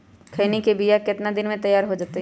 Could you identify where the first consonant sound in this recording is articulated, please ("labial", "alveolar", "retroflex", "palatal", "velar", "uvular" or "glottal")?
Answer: velar